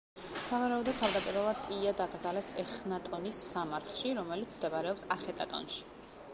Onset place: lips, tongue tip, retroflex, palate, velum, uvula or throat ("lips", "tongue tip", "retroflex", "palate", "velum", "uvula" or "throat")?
tongue tip